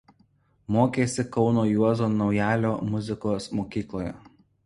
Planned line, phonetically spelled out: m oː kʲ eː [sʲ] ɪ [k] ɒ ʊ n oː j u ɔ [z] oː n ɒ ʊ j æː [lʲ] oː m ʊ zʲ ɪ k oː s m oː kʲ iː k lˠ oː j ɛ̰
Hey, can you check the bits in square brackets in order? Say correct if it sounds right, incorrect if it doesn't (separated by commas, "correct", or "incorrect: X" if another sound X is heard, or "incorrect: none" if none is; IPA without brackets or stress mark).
correct, correct, correct, correct